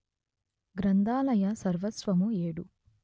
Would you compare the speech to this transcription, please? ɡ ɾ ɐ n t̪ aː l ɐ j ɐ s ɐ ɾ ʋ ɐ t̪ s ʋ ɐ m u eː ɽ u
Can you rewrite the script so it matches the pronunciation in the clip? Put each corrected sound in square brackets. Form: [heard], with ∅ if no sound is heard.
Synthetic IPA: ɡ ɾ ɐ n [d̪] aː l ɐ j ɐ s ɐ ɾ ʋ ɐ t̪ s ʋ ɐ m u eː ɽ u